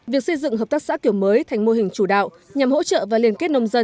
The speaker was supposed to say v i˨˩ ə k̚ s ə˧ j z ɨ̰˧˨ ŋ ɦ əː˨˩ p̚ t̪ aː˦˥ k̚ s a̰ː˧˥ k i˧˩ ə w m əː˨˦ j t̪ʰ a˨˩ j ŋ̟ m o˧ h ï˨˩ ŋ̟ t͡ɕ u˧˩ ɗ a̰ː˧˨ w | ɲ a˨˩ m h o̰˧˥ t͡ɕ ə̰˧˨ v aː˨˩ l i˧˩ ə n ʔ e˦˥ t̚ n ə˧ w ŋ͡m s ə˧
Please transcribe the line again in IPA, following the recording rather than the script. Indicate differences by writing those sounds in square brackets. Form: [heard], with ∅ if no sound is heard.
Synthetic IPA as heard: v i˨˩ ə k̚ s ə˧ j z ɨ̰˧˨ ŋ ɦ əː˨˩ p̚ t̪ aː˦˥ k̚ s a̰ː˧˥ k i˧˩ ə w m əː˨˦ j t̪ʰ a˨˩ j ŋ̟ m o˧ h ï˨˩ ŋ̟ t͡ɕ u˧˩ ɗ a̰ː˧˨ w | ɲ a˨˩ m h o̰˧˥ t͡ɕ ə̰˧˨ v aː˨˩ l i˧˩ ə n [k] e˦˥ t̚ n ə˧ w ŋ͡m [z] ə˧

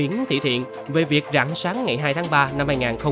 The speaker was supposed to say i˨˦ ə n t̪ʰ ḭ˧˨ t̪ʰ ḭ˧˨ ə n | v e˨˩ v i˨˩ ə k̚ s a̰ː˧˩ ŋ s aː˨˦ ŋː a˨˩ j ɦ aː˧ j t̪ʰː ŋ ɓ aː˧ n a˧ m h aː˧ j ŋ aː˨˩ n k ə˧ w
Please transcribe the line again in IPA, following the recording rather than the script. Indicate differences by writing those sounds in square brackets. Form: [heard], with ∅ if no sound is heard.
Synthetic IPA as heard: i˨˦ ə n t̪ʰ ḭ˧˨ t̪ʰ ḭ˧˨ ə n | v e˨˩ v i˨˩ ə k̚ [z] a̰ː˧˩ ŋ s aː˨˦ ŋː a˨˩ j ɦ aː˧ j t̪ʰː ŋ ɓ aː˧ n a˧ m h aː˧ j ŋ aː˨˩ n [x] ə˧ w

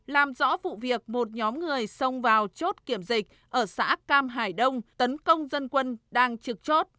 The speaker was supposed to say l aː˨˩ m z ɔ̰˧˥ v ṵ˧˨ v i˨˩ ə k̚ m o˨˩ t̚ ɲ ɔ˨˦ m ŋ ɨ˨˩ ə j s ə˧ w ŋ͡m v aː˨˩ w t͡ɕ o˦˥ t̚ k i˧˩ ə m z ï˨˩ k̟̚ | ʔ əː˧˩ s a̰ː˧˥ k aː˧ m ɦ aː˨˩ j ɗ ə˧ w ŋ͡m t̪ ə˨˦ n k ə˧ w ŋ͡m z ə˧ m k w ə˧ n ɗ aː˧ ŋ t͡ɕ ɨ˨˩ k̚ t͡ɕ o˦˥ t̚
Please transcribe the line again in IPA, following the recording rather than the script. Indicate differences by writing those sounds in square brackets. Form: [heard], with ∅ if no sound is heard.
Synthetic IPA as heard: l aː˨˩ m z ɔ̰˧˥ v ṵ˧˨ v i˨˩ ə k̚ m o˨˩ t̚ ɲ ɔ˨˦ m ŋ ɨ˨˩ ə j s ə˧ w ŋ͡m v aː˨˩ w t͡ɕ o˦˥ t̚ k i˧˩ ə m z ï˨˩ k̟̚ | ʔ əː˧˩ s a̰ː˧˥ k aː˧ m ɦ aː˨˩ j ɗ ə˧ w ŋ͡m t̪ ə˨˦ n k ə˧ w ŋ͡m z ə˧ [n] k w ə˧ n ɗ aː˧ ŋ t͡ɕ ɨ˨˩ k̚ t͡ɕ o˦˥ t̚

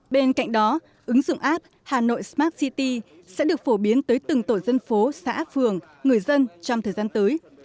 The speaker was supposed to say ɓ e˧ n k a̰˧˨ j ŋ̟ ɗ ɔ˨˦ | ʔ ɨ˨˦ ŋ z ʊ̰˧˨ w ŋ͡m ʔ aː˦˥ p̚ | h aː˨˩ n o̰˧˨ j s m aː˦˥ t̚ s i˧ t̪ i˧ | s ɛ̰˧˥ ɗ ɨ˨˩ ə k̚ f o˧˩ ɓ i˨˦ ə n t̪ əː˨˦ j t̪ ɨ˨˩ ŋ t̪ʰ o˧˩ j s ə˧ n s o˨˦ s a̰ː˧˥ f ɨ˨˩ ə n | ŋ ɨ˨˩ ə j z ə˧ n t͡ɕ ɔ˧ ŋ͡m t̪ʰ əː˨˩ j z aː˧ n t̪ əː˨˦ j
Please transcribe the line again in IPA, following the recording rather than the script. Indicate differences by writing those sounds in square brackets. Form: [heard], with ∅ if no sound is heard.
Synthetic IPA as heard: ɓ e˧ n k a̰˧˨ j ŋ̟ ɗ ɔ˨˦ | ʔ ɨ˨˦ ŋ z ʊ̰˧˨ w ŋ͡m ʔ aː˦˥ p̚ | h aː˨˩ n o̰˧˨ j s m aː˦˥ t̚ s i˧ t̪ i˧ | s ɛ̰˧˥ ɗ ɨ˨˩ ə k̚ f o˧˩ ɓ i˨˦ ə n t̪ əː˨˦ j t̪ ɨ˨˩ ŋ [t̪] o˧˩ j [z] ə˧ n [f] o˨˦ s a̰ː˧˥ f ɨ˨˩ ə [ŋ] | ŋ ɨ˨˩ ə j z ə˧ n t͡ɕ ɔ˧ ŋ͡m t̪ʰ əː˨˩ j z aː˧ n t̪ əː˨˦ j

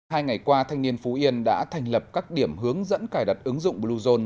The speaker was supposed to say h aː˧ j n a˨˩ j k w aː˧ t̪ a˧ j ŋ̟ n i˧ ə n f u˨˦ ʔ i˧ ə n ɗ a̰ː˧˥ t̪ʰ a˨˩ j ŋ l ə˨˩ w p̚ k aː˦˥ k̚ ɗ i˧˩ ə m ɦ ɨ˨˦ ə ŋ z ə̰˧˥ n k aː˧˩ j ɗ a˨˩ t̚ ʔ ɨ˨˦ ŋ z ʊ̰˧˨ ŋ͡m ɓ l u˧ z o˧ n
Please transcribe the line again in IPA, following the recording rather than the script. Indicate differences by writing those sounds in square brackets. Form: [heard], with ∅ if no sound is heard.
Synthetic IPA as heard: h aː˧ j [ŋ] a˨˩ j k w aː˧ [t̪ʰ] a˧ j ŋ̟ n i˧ ə n f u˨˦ ʔ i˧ ə n ɗ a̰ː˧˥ t̪ʰ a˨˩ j ŋ l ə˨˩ [∅] p̚ k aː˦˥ k̚ ɗ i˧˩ ə m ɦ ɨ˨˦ ə ŋ z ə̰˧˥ n k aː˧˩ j ɗ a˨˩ t̚ ʔ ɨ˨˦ ŋ z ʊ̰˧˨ ŋ͡m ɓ l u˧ z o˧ n

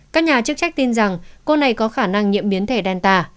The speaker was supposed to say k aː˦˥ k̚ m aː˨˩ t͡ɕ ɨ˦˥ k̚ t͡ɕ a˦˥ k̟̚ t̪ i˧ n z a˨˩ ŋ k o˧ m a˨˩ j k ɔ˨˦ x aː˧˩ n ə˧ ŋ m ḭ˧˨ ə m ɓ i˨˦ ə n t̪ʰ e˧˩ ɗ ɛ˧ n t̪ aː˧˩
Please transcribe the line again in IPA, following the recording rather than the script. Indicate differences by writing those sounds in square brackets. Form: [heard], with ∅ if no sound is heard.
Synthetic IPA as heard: k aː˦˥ k̚ [ɲ] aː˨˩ t͡ɕ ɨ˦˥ k̚ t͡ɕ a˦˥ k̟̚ t̪ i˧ n z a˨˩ ŋ k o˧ [n] a˨˩ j k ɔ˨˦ x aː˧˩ n [a˧] ŋ [ɲ] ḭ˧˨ ə m ɓ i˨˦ ə n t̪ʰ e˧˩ ɗ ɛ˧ n t̪ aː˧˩

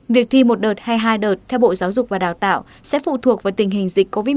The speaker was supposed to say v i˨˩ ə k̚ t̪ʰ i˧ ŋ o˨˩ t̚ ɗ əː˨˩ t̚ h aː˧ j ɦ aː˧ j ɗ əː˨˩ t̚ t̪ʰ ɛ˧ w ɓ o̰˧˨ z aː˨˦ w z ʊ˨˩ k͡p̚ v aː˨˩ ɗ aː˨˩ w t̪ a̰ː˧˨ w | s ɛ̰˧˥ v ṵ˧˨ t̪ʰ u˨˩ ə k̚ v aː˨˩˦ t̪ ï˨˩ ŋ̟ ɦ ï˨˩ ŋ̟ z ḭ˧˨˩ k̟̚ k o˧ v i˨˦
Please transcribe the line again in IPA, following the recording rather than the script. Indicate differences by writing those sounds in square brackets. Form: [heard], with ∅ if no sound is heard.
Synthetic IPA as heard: v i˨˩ ə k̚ t̪ʰ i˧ [m] o˨˩ t̚ ɗ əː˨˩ t̚ h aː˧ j ɦ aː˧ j ɗ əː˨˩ t̚ t̪ʰ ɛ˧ w ɓ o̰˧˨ z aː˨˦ w z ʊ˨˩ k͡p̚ v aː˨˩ ɗ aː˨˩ w t̪ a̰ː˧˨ w | s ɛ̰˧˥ [f] ṵ˧˨ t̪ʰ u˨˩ ə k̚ v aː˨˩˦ t̪ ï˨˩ ŋ̟ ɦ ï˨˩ ŋ̟ z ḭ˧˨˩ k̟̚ k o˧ v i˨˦

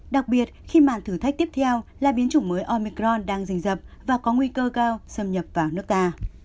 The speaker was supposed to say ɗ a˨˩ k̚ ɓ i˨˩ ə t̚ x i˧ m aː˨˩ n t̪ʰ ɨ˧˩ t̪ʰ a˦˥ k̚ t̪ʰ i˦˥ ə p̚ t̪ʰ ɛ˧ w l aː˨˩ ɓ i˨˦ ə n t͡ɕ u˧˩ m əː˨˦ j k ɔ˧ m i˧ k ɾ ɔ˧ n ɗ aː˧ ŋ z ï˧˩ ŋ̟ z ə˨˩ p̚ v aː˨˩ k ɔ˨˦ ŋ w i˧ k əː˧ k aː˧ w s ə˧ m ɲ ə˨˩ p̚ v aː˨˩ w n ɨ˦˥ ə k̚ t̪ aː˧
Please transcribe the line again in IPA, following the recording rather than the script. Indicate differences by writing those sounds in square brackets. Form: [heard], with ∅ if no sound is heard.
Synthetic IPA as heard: ɗ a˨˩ k̚ ɓ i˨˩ ə t̚ x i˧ m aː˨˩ n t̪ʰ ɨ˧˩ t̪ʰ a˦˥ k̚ [t̪] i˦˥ ə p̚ t̪ʰ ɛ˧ w l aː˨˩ ɓ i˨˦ ə n t͡ɕ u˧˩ m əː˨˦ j [ʔ] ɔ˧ m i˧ k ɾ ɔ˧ n ɗ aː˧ ŋ z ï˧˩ ŋ̟ z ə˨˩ p̚ v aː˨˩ k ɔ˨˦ ŋ w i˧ k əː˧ k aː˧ w s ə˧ m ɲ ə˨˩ p̚ v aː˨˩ w n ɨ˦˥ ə k̚ t̪ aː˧

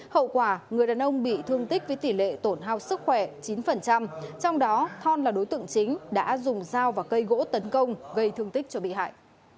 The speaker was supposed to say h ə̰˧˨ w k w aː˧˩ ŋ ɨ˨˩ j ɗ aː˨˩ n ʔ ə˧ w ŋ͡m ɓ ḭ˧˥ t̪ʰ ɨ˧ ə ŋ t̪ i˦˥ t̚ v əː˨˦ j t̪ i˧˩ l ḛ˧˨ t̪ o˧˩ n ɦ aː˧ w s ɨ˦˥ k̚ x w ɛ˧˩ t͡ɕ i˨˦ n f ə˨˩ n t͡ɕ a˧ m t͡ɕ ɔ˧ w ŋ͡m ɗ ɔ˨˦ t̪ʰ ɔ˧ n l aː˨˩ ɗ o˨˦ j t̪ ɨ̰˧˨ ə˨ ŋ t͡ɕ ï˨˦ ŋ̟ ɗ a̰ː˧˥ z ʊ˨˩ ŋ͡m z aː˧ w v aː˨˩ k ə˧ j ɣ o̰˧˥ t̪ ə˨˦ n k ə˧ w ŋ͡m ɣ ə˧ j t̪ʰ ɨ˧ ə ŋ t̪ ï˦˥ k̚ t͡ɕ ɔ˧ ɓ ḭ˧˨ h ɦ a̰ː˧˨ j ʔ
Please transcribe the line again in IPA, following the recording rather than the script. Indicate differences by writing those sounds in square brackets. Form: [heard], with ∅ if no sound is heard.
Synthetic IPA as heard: h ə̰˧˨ w k w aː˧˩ ŋ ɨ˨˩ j ɗ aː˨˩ n ʔ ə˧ w ŋ͡m ɓ [ḭ˧˨] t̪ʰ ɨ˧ ə ŋ t̪ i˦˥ [k̚] v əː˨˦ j t̪ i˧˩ l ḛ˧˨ t̪ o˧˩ n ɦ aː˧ w s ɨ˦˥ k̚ x w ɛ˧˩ t͡ɕ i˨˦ n f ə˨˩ n t͡ɕ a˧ m t͡ɕ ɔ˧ w ŋ͡m ɗ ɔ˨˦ t̪ʰ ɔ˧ n l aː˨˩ ɗ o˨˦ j t̪ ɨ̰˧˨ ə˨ ŋ t͡ɕ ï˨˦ ŋ̟ ɗ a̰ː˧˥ z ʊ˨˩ ŋ͡m z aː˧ w v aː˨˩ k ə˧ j ɣ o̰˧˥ t̪ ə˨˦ n k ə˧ w ŋ͡m ɣ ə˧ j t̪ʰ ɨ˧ ə ŋ t̪ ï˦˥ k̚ t͡ɕ ɔ˧ ɓ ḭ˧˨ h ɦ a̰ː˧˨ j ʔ

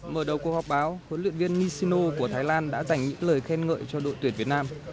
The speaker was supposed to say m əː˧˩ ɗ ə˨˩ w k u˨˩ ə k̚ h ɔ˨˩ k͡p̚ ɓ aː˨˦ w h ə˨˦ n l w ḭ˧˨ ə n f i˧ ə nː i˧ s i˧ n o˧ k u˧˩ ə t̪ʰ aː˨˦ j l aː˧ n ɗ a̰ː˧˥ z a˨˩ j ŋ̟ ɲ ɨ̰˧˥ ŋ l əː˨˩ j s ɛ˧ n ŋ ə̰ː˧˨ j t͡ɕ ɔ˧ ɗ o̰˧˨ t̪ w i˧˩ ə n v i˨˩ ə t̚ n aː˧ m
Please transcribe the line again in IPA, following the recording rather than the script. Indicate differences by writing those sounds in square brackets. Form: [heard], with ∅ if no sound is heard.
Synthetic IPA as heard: m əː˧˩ ɗ ə˨˩ w k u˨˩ ə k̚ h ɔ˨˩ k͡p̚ ɓ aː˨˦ w h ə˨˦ n l w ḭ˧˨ ə n [v] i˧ ə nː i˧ s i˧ n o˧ k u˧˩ ə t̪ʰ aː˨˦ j l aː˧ n ɗ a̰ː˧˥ z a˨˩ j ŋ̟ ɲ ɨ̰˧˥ ŋ l əː˨˩ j [x] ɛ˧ n ŋ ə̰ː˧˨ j t͡ɕ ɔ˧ ɗ o̰˧˨ t̪ w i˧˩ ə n v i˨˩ ə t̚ n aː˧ m

